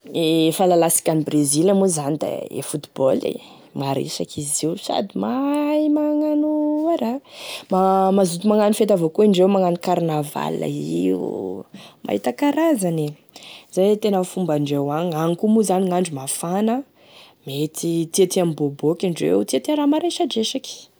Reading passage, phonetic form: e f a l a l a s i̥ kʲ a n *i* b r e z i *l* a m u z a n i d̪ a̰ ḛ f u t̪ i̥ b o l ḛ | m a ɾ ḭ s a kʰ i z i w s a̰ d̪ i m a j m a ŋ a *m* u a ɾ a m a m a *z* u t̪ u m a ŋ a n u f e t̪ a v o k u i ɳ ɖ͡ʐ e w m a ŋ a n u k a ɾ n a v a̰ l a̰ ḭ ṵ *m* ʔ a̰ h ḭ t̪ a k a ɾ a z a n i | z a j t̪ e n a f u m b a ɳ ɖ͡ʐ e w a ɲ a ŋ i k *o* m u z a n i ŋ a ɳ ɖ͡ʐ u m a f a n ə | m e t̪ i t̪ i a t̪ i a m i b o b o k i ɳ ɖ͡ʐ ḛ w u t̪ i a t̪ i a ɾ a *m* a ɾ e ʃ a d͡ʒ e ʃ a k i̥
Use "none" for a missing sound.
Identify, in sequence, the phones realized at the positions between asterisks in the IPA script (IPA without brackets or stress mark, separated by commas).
i, l, n, z, m, u, m